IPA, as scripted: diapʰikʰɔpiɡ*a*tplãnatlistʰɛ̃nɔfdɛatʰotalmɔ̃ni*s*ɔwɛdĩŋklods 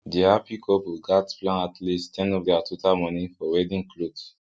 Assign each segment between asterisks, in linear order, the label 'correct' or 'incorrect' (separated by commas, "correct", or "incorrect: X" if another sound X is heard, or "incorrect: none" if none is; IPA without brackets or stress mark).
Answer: correct, incorrect: f